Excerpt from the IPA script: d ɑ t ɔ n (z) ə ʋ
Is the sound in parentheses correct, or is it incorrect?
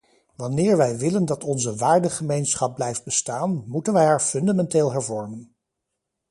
correct